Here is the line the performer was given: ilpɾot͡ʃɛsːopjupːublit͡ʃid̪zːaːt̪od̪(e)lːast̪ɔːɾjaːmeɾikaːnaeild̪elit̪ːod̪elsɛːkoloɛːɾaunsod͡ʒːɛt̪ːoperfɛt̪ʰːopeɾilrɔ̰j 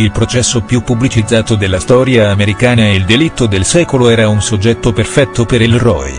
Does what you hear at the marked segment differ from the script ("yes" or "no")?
no